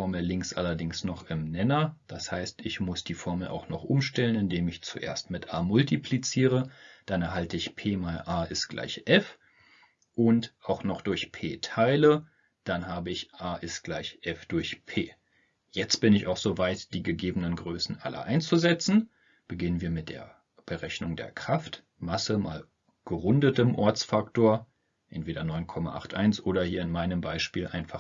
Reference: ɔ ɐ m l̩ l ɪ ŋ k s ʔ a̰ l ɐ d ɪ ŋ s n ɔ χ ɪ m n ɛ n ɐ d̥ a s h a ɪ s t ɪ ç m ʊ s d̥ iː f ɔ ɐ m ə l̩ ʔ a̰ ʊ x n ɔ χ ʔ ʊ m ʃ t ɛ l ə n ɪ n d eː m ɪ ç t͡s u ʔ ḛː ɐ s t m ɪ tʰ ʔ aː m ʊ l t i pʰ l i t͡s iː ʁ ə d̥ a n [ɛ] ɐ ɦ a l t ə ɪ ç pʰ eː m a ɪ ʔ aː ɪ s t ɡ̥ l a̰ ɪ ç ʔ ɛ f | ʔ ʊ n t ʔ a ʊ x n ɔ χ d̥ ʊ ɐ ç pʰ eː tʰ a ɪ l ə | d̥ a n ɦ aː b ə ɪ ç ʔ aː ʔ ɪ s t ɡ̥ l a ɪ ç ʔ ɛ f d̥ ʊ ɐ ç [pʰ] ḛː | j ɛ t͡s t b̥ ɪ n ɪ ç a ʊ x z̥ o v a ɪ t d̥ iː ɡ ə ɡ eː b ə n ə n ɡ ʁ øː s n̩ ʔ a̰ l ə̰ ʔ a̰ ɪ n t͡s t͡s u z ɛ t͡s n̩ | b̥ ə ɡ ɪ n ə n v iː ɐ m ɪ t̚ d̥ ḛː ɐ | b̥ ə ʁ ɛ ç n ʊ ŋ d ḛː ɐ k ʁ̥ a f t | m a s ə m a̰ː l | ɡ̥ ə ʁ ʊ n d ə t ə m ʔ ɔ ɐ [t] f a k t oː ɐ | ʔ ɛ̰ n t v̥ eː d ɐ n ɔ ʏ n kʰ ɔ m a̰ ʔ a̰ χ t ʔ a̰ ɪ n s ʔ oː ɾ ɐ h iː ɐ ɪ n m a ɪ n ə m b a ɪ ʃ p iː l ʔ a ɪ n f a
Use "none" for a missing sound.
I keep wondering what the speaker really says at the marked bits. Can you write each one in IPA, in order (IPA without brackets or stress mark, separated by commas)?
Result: ɛ, pʰ, t͡s